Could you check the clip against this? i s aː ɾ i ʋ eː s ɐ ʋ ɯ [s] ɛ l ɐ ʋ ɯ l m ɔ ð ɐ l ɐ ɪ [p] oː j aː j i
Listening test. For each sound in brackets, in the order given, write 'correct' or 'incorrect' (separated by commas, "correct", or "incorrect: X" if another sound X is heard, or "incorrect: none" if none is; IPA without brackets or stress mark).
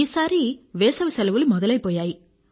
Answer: correct, correct